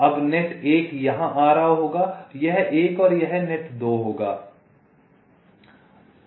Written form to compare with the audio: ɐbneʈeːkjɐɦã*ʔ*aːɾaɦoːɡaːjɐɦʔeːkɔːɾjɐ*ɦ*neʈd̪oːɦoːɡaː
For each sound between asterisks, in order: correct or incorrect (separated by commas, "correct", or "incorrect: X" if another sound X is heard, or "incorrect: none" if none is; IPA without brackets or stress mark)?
correct, correct